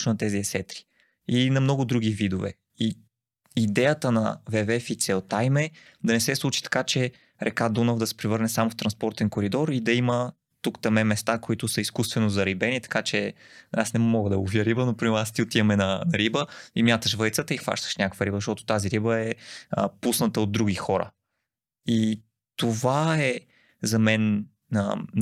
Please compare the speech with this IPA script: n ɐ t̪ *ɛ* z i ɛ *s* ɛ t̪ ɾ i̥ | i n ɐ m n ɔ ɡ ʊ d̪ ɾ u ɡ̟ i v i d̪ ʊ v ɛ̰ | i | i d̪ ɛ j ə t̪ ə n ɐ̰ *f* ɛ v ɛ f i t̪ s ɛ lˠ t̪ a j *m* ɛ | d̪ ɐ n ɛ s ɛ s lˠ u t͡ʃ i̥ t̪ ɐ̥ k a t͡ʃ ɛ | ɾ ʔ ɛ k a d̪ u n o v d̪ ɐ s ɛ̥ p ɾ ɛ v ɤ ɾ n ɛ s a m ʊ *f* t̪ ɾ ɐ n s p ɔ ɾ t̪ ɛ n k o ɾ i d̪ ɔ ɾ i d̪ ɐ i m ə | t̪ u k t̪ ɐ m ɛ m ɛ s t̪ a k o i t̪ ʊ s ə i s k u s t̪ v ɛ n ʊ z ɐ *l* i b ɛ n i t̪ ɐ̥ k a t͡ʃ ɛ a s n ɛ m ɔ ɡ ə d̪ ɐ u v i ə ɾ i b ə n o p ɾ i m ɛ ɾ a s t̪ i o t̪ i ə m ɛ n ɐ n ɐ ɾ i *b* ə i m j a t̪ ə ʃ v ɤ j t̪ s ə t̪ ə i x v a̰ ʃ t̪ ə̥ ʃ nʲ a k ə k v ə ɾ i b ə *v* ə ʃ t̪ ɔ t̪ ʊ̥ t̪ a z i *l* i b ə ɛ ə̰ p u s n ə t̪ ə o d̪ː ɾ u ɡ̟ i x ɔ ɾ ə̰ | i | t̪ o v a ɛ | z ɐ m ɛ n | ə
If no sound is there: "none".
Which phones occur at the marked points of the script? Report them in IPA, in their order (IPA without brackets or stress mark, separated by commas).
ɛ, s, v, m, f, ɾ, b, z, ɾ